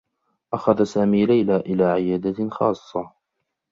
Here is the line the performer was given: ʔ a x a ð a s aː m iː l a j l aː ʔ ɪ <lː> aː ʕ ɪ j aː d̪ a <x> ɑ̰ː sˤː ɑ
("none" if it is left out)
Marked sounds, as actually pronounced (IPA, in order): l, x

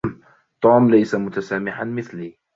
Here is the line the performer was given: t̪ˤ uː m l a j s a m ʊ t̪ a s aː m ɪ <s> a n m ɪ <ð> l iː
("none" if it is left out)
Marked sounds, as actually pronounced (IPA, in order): ħ, θ

